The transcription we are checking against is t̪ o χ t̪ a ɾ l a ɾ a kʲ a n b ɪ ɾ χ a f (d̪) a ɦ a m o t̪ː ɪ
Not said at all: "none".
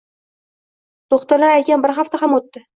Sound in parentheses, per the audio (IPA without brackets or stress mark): t̪